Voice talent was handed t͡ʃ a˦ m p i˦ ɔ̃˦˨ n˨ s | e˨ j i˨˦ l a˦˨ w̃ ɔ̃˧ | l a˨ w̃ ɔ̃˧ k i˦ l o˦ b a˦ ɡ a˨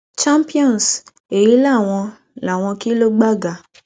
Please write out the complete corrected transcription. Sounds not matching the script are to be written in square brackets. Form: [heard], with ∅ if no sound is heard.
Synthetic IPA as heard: t͡ʃ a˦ m p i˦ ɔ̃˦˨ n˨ s | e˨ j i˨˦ l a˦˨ w̃ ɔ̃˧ | l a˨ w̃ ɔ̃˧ k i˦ l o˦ [ɡ͡b] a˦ ɡ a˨